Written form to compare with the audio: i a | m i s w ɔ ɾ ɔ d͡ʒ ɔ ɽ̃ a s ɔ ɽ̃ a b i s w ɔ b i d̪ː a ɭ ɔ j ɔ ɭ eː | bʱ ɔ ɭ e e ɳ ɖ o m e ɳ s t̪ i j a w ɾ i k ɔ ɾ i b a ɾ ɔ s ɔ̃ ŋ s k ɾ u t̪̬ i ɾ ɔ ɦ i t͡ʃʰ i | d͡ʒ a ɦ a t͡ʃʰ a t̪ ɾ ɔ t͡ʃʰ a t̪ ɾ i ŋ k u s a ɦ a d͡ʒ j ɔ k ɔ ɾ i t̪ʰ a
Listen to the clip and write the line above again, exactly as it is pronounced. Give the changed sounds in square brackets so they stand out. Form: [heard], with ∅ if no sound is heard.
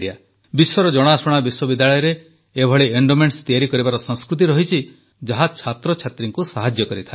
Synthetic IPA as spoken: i a | [b] i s w ɔ ɾ ɔ d͡ʒ ɔ ɽ̃ a s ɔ ɽ̃ a b i s w ɔ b i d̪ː a ɭ ɔ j ɔ [ɾ] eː | bʱ ɔ ɭ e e ɳ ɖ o m e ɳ s t̪ i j a [∅] ɾ i k ɔ ɾ i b a ɾ ɔ s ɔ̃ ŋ s k ɾ u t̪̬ i ɾ ɔ ɦ i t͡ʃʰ i | d͡ʒ a ɦ a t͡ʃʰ a t̪ ɾ ɔ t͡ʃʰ a t̪ ɾ i ŋ k u s a ɦ a d͡ʒ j ɔ k ɔ ɾ i t̪ʰ a

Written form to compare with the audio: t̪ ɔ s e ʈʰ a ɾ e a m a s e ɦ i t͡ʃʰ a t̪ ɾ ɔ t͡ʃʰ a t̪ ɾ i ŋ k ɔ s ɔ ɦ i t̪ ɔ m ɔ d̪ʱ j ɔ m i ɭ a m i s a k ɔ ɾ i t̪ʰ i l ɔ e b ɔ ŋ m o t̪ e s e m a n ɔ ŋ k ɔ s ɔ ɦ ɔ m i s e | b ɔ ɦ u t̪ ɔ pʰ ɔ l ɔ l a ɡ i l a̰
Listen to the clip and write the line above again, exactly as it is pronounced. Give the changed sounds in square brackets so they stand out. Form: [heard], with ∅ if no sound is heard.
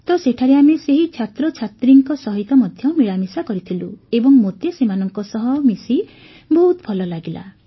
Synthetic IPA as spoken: t̪ ɔ s e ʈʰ a ɾ e a m [e] s e ɦ i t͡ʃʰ a t̪ ɾ ɔ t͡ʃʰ a t̪ ɾ i ŋ k ɔ s ɔ ɦ i t̪ ɔ m ɔ d̪ʱ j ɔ m i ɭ a m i s a k ɔ ɾ i t̪ʰ i l [u] e b ɔ ŋ m o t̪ e s e m a n ɔ ŋ k ɔ s ɔ ɦ ɔ m i s [i] | b ɔ ɦ u t̪ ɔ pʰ ɔ l ɔ l a ɡ i l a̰

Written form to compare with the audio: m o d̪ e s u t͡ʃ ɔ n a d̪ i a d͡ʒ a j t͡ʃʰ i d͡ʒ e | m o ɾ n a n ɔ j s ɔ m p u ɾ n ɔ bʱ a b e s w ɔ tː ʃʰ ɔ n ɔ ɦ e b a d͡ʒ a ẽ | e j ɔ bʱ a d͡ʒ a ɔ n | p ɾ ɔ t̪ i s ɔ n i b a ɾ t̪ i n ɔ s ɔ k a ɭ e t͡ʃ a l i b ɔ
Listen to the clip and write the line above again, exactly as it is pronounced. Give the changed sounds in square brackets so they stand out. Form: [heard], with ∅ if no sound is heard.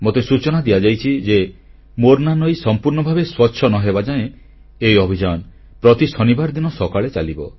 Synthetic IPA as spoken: m o [t̪] e s u t͡ʃ ɔ n a d̪ i a d͡ʒ a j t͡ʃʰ i d͡ʒ e | m o ɾ n a n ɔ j s ɔ m p u ɾ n ɔ bʱ a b e s w ɔ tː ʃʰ ɔ n ɔ ɦ e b a d͡ʒ a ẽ | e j ɔ bʱ [i] d͡ʒ a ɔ n | p ɾ ɔ t̪ i s ɔ n i b a ɾ [d̪] i n ɔ s ɔ k a ɭ e t͡ʃ a l i b ɔ

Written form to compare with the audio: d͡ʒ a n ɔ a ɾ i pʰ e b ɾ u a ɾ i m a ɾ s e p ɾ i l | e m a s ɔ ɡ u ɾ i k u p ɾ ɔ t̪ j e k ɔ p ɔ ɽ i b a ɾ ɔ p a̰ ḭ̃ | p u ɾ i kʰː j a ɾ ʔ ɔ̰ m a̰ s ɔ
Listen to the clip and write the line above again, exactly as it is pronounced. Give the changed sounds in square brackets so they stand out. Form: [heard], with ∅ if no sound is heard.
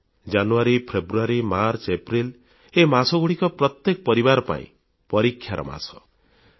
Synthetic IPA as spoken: d͡ʒ a n [u] a ɾ i pʰ e b ɾ u a ɾ i m a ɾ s e p ɾ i l | e m a s ɔ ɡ u [ɽ] i k [ɔ] p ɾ ɔ t̪ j e k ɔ p ɔ [ɾ] i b a ɾ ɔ p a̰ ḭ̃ | p [ɔ] ɾ i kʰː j a ɾ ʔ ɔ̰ m a̰ s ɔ

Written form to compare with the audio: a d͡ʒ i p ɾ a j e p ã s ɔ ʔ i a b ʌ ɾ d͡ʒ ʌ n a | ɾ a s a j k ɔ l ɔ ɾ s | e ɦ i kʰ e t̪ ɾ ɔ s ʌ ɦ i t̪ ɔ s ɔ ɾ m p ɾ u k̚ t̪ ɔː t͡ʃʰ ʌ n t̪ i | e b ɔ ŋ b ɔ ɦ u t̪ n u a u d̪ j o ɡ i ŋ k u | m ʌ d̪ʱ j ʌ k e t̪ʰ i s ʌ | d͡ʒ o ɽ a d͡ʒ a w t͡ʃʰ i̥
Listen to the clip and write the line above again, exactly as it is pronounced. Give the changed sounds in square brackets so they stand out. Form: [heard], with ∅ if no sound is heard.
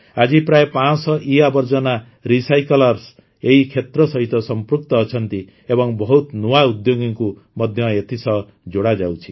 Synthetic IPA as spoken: a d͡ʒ i p ɾ a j e p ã s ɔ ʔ i a b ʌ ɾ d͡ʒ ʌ n a | ɾ [i] s a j k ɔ l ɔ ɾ s | e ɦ i kʰ e t̪ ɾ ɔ s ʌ ɦ i t̪ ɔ s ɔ [∅] m p ɾ u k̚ t̪ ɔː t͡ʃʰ ʌ n t̪ i | e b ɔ ŋ b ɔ ɦ u t̪ n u a u d̪ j o ɡ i ŋ k u | m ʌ d̪ʱ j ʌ [∅] e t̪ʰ i s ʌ | d͡ʒ o ɽ a d͡ʒ a w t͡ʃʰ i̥

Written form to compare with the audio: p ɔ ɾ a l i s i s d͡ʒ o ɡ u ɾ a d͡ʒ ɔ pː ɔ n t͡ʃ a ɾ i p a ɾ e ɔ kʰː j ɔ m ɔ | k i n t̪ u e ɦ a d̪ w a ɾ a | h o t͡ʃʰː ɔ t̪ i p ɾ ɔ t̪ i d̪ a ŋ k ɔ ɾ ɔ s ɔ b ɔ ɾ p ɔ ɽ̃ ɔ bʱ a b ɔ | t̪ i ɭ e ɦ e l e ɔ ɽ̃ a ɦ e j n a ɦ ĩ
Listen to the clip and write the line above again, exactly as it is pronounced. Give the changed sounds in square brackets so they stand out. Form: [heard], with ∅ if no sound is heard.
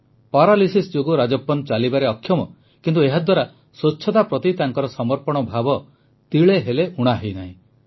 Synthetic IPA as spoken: p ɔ ɾ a l i s i s d͡ʒ o ɡ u ɾ a d͡ʒ ɔ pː ɔ n t͡ʃ a [l] i [b] a ɾ e ɔ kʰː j ɔ m ɔ | k i n t̪ u e ɦ a d̪ w a ɾ a | [s] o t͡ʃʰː ɔ t̪ [a] p ɾ ɔ t̪ i [t̪] a ŋ k ɔ ɾ ɔ s ɔ [m] ɔ ɾ p ɔ ɽ̃ ɔ bʱ a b ɔ | t̪ i ɭ e ɦ e l e [u] ɽ̃ a ɦ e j n a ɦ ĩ

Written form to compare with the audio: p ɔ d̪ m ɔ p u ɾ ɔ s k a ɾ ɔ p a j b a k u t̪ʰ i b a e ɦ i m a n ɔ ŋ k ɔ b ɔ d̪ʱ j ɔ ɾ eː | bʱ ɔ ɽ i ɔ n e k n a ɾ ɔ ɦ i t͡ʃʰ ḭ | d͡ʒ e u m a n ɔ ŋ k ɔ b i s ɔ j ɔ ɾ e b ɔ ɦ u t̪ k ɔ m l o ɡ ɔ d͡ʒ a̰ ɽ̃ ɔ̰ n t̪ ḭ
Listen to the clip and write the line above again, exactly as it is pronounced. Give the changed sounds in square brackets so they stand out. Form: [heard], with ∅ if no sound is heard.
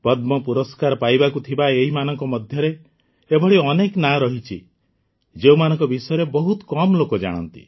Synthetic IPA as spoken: p ɔ d̪ m ɔ p u ɾ ɔ s k a ɾ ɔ p a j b a k u t̪ʰ i b a e ɦ i m a n ɔ ŋ k ɔ [m] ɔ d̪ʱ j ɔ ɾ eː | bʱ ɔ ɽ i ɔ n e k n a ɾ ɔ ɦ i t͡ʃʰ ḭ | d͡ʒ e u m a n ɔ ŋ k ɔ b i s ɔ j ɔ ɾ e b ɔ ɦ u t̪ k ɔ m l o [k] ɔ d͡ʒ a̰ ɽ̃ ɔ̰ n t̪ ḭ

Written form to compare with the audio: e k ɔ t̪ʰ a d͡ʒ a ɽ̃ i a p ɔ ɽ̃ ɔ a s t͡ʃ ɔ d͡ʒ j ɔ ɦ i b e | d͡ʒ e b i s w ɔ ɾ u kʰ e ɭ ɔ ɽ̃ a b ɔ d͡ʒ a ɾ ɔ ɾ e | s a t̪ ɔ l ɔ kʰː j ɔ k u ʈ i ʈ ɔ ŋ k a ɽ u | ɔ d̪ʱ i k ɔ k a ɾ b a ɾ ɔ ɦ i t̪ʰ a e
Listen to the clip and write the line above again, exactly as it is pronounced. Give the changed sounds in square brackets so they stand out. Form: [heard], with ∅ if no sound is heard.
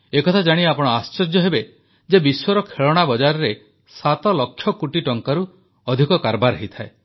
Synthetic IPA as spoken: e k ɔ t̪ʰ a d͡ʒ a ɽ̃ i a p ɔ ɽ̃ ɔ a s t͡ʃ ɔ d͡ʒ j ɔ ɦ [e] b e | d͡ʒ e b i s w ɔ ɾ [ɔ] kʰ e ɭ ɔ ɽ̃ a b ɔ d͡ʒ a ɾ ɔ ɾ e | s a t̪ ɔ l ɔ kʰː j ɔ k u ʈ i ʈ ɔ ŋ k a [ɾ] u | ɔ d̪ʱ i k ɔ k a ɾ b a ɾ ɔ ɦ i t̪ʰ a e

